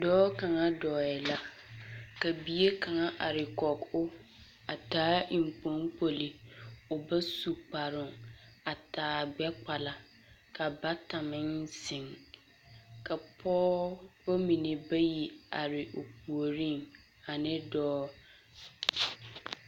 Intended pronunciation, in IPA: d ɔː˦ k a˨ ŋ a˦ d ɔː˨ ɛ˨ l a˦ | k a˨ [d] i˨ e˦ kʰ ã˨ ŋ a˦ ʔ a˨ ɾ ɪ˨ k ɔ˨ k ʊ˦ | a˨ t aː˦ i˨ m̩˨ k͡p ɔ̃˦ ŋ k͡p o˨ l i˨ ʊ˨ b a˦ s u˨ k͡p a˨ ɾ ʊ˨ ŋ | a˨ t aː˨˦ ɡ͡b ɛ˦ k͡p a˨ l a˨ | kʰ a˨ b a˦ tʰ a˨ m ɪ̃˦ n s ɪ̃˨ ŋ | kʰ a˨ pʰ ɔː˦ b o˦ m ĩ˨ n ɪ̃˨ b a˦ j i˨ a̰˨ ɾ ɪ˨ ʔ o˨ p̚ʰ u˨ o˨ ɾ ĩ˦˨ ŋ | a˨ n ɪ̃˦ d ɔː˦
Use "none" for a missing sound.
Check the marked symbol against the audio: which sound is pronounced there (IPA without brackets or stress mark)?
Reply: b